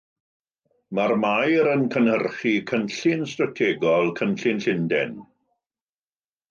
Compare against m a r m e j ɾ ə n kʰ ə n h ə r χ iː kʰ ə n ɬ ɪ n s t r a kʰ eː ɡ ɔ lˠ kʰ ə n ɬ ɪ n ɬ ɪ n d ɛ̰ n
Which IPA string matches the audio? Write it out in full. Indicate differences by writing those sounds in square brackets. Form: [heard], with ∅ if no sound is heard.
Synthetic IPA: m a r m [a] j ɾ ə n kʰ ə n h ə r χ [i] kʰ ə n ɬ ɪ n s t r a [tʰ] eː ɡ ɔ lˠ kʰ ə n ɬ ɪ n ɬ ɪ n d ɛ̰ n